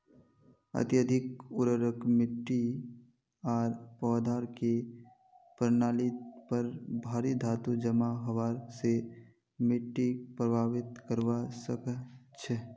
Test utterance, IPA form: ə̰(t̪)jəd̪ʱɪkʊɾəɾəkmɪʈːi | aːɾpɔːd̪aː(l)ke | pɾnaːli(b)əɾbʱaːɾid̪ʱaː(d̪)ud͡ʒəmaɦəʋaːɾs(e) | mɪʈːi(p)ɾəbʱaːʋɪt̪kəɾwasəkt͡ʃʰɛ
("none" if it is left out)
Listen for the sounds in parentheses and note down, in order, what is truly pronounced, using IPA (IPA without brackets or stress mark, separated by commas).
t̪, ɾ, p, t̪, e, p